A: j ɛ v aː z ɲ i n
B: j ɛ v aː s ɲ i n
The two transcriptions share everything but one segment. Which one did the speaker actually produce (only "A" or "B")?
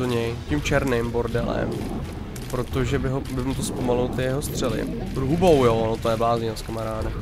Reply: A